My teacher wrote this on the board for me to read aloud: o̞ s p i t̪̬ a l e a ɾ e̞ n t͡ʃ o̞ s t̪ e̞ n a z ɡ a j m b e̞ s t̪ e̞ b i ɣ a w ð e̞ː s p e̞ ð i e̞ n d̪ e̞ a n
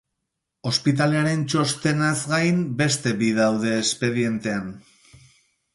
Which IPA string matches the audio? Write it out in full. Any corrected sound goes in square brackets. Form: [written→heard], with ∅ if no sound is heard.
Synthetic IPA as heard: o̞ s p i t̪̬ a l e a ɾ e̞ n t͡ʃ o̞ s t̪ e̞ n a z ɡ a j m b e̞ s t̪ e̞ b i [ɣ→ð] a w ð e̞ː s p e̞ ð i e̞ n [d̪→t̪] e̞ a n